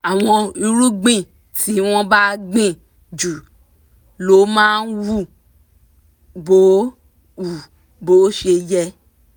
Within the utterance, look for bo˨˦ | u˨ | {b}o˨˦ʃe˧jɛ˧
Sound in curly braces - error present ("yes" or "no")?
no